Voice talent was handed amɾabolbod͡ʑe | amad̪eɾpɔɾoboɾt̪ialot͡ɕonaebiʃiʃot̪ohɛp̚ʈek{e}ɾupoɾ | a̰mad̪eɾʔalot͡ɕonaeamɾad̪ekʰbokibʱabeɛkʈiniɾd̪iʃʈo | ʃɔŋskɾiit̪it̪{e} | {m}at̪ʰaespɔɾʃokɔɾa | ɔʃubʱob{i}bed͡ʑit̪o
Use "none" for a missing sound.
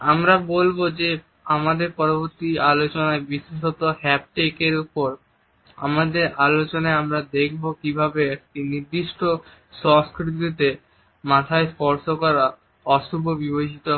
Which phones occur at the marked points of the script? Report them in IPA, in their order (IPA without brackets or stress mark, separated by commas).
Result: e, e, m, i